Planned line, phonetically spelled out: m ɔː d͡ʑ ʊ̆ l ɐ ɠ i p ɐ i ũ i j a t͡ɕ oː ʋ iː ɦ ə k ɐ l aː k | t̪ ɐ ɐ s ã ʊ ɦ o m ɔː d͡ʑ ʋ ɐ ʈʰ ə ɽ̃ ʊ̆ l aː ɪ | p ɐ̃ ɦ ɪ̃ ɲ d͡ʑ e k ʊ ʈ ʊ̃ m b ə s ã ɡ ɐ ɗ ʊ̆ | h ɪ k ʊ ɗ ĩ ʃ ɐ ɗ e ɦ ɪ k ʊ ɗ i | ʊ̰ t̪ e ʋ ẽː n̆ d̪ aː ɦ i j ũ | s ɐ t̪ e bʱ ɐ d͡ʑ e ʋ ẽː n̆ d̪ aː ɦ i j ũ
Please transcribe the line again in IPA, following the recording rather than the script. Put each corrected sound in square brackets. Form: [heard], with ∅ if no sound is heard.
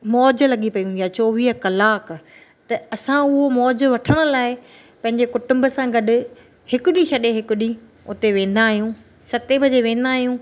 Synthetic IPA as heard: m ɔː d͡ʑ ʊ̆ l ɐ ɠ i p ɐ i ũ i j a t͡ɕ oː ʋ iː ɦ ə k ɐ l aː k | t̪ ɐ ɐ s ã ʊ ɦ o m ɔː d͡ʑ ʋ ɐ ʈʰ ə ɽ̃ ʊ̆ l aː ɪ | p ɐ̃ ɦ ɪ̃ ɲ d͡ʑ e k ʊ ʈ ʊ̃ m b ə s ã ɡ ɐ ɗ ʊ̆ | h ɪ k ʊ ɗ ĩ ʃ ɐ ɗ e ɦ ɪ k ʊ ɗ i | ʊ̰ t̪ e ʋ ẽː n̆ d̪ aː ɦ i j ũ | s ɐ t̪ e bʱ ɐ d͡ʑ e ʋ ẽː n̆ d̪ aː ɦ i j ũ